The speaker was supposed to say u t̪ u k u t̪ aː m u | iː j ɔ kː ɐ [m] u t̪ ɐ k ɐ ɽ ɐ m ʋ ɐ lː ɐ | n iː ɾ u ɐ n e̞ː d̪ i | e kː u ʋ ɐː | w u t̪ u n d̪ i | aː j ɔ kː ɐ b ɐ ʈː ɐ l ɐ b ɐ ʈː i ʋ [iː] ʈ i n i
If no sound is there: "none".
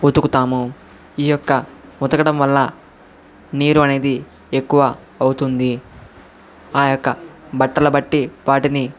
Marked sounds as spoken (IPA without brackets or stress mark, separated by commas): m, aː